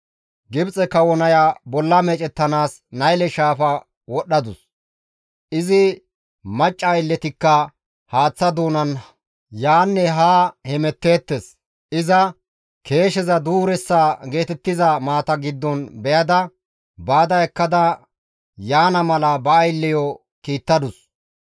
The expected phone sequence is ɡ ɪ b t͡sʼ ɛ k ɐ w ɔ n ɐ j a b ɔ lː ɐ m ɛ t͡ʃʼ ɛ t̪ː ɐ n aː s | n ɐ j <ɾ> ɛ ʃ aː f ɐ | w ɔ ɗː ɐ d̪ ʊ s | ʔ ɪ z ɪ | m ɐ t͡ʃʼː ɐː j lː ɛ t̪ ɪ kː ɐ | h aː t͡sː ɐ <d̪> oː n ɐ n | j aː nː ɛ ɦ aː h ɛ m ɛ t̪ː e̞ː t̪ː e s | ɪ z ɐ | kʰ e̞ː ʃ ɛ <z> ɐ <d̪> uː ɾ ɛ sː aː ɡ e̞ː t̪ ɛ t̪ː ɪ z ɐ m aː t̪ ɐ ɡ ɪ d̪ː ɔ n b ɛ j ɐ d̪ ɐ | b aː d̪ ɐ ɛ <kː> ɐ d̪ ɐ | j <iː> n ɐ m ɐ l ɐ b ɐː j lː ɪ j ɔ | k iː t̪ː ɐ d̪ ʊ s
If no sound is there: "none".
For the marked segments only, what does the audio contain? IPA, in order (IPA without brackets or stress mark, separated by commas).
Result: l, d̪, z, d̪, kː, aː